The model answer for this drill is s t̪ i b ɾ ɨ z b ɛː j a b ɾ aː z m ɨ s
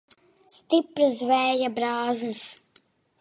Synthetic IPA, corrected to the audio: s t̪ i p ɾ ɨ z v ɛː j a b ɾ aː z m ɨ s